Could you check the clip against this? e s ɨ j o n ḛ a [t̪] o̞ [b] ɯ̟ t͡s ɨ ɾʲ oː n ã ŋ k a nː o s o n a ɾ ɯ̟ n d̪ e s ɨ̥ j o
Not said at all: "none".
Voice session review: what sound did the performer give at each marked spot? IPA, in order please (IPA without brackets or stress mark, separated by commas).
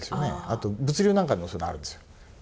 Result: t̪, b